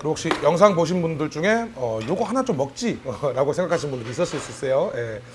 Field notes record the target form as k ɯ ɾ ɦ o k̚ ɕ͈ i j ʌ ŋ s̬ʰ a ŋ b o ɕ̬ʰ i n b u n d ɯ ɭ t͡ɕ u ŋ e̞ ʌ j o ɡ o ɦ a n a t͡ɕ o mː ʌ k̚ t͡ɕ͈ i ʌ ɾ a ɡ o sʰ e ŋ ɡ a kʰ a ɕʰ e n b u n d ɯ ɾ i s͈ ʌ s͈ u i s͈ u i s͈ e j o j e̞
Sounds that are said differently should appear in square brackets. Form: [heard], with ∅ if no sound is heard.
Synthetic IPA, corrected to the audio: k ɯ ɾ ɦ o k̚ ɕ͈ i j ʌ ŋ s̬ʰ a ŋ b o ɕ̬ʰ i n b u n d ɯ ɭ t͡ɕ u ŋ e̞ ʌ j o ɡ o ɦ a n a t͡ɕ o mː ʌ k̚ t͡ɕ͈ i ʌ ɾ a ɡ o sʰ e ŋ ɡ a kʰ a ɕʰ [i] n b u n d ɯ ɾ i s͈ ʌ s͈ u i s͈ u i s͈ e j o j e̞